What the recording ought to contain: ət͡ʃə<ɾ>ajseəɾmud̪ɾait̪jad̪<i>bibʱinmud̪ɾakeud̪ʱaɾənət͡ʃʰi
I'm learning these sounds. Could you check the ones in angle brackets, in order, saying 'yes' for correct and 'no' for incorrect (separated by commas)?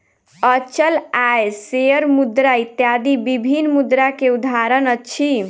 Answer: no, yes